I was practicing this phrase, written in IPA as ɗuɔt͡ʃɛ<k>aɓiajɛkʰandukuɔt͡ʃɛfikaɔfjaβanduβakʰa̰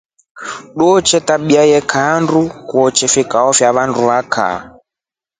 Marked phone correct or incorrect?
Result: incorrect